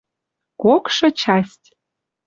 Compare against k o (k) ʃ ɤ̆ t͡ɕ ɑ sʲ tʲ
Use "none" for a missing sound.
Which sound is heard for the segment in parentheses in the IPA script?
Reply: k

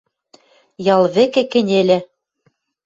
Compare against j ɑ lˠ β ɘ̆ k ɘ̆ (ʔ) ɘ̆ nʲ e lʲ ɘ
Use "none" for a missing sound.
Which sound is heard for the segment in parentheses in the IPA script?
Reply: k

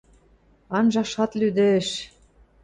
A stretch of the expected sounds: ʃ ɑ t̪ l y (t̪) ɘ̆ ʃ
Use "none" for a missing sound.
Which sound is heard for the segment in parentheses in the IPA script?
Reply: d̪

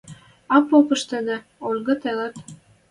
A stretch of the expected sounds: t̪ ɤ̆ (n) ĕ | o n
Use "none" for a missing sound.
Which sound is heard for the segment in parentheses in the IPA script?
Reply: n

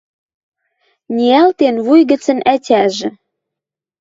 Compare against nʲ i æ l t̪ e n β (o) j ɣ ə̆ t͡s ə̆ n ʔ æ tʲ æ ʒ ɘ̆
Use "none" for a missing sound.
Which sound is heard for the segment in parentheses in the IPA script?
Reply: u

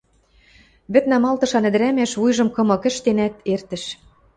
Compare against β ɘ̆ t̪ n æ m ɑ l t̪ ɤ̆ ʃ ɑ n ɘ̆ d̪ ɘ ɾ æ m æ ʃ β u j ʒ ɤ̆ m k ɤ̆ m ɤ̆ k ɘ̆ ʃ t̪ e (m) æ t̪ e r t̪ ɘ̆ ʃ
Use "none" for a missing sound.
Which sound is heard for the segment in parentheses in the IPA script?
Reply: n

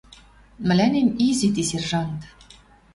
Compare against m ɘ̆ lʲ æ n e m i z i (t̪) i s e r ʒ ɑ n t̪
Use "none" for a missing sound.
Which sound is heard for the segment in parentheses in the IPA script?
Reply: t̪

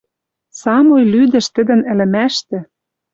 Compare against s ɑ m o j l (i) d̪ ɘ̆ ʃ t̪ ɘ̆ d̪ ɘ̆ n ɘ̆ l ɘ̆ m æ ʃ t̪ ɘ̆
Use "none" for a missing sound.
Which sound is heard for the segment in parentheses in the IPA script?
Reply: y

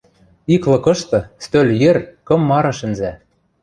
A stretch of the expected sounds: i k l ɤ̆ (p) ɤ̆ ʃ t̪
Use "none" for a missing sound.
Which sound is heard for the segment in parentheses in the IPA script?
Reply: k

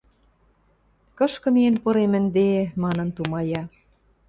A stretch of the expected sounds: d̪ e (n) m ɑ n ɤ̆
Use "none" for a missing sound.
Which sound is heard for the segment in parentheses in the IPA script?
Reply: none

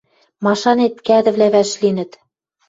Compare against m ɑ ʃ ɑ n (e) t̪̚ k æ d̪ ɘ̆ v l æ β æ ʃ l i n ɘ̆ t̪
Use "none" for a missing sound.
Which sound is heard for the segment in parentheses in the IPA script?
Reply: e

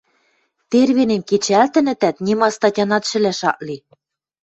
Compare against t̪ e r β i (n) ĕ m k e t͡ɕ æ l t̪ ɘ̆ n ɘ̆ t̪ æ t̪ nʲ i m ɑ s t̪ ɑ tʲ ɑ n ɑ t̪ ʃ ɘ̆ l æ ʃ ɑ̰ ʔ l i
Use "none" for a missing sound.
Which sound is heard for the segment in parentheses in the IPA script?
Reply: n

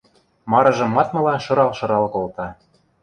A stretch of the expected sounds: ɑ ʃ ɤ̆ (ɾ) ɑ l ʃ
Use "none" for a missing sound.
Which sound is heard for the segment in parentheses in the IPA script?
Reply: ɾ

